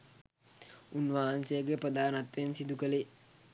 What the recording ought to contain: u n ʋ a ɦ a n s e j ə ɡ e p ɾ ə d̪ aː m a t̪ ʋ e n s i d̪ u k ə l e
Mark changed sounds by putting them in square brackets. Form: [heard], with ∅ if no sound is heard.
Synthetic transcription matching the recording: u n ʋ a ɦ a n s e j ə ɡ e p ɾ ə d̪ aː [n] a t̪ ʋ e n s i d̪ u k ə l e